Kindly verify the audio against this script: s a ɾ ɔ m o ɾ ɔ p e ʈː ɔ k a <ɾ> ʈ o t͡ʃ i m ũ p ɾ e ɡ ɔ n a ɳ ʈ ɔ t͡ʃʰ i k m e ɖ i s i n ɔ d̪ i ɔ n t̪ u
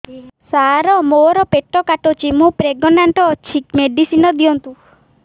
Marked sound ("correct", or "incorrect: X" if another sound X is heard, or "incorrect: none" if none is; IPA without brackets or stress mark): incorrect: none